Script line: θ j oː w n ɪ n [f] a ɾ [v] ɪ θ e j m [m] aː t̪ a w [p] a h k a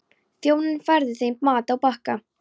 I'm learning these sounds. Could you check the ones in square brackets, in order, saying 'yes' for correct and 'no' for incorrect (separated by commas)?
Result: yes, no, yes, yes